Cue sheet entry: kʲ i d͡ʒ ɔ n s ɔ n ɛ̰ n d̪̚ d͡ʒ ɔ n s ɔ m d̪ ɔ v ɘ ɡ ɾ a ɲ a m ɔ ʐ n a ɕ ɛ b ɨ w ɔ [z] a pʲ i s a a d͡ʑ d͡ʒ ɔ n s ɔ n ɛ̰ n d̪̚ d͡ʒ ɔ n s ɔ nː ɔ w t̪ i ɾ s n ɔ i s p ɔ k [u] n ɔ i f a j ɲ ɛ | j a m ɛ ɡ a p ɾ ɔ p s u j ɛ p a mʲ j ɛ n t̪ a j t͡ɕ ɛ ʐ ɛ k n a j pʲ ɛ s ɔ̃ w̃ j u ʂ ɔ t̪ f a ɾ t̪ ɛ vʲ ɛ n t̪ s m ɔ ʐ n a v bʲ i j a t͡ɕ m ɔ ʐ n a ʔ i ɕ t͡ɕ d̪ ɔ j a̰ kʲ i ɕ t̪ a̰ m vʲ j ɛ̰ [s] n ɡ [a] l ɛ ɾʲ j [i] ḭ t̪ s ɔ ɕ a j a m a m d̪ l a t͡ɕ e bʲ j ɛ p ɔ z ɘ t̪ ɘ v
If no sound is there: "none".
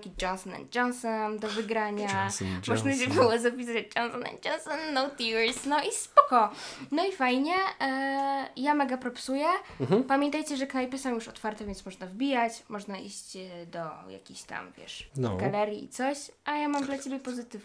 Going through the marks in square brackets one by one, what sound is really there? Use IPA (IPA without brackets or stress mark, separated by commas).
z, ɔ, ʂ, a, i